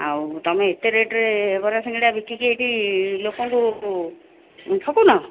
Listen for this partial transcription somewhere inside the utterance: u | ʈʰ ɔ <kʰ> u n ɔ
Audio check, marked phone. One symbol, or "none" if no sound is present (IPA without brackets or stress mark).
k